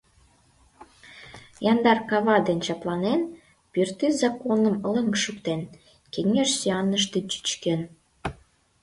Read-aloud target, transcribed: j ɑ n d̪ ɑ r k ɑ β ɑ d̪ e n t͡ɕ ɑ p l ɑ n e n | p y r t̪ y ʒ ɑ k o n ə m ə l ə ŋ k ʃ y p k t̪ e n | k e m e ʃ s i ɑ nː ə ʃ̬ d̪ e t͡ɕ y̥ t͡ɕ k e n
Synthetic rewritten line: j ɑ n d̪ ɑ r k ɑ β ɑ d̪ e n t͡ɕ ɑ p l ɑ n e n | p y r t̪ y z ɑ k o n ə m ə l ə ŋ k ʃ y k t̪ e n | k e ŋ e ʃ s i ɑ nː ə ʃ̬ t̪ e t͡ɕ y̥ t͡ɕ k e n